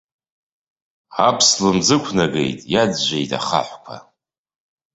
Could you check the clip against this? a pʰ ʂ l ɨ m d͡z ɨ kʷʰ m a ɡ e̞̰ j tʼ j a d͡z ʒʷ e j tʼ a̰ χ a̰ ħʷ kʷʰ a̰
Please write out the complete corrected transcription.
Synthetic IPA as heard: a pʰ s l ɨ m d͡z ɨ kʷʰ n a ɡ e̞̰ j tʼ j a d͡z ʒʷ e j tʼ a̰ χ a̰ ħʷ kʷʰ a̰